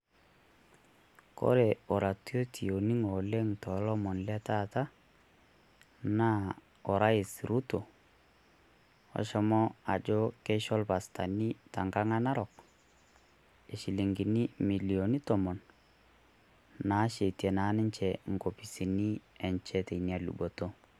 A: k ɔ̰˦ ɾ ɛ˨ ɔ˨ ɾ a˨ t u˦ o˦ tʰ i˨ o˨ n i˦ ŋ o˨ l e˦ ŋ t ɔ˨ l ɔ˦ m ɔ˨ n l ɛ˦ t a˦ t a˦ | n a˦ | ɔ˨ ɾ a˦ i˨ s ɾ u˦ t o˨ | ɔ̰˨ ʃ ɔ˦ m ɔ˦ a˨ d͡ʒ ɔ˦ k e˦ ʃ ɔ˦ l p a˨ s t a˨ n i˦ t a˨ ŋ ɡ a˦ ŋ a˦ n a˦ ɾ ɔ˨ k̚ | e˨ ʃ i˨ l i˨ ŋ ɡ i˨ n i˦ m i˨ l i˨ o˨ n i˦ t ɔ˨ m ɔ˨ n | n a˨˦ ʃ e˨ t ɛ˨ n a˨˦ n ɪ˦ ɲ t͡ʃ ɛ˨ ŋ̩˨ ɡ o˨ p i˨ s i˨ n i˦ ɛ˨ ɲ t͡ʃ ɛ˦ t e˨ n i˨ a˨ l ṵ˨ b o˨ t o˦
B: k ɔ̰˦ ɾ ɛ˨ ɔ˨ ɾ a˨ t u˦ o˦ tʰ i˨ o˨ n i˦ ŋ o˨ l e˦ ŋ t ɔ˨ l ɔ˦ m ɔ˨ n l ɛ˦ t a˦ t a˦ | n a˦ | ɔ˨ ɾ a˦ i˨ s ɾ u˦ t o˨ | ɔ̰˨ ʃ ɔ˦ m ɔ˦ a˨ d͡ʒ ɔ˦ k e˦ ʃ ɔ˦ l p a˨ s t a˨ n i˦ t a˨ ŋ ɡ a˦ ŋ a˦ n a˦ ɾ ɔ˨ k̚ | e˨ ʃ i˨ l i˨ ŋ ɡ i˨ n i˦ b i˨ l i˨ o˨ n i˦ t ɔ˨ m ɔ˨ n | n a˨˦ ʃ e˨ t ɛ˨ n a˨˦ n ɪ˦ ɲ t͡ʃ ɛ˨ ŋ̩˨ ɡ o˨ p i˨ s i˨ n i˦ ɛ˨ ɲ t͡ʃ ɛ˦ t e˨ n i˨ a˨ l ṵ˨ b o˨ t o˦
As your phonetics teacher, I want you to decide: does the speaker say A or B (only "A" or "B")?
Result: A